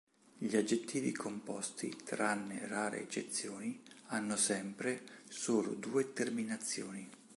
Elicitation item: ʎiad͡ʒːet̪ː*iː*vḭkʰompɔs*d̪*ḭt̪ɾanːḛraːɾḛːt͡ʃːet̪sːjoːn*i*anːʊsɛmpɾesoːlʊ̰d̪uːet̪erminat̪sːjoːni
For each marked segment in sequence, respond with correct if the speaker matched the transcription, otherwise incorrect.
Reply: correct, incorrect: t̪, correct

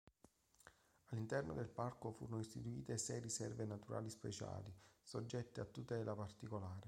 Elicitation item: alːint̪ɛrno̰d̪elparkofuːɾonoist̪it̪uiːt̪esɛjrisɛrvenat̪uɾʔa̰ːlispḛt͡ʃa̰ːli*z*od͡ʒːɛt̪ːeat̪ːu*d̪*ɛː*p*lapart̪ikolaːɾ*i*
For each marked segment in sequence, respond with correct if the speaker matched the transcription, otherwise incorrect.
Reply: incorrect: s, incorrect: t̪, incorrect: none, incorrect: e

